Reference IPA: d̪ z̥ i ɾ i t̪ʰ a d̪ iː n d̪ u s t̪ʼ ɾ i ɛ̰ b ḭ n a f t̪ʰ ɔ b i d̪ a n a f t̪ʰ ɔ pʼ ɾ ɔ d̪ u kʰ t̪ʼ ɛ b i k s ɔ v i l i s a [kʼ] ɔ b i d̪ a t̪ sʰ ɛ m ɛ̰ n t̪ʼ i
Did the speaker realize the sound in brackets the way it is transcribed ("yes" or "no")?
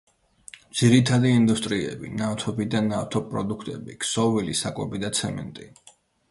yes